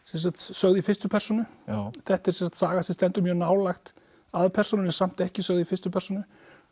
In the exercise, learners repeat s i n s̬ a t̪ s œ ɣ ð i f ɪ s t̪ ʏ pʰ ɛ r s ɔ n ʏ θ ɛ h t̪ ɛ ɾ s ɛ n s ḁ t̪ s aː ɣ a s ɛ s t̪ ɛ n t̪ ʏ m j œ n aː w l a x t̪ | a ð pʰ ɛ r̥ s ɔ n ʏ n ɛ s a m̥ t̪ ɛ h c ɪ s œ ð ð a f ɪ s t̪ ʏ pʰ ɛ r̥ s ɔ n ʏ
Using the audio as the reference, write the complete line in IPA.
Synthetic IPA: s ɛ n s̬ a t̪ s œ ɣ ð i f ɪ s t̪ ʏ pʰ ɛ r s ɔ n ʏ θ ɛ h t̪ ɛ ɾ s ɛ n s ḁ t̪ s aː ɣ a s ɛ s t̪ ɛ n t̪ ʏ m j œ n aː w l a x t̪ | a ð pʰ ɛ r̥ s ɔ n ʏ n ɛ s a m̥ t̪ ɛ h c ɪ s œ ɣ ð i f ɪ s t̪ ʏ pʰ ɛ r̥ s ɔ n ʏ